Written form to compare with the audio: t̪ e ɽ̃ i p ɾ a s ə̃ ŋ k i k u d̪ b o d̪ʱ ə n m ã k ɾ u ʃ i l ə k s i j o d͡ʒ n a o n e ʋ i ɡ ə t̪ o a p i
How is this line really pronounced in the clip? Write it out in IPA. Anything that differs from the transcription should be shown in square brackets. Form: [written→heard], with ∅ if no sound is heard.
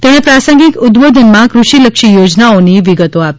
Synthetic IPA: t̪ e ɽ̃ [i→e] p ɾ a s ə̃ ŋ [k→ɡ] i k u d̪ b o d̪ʱ ə n m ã k ɾ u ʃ i l ə k [s→ʃ] i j o d͡ʒ n a o n [e→i] ʋ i ɡ ə t̪ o a p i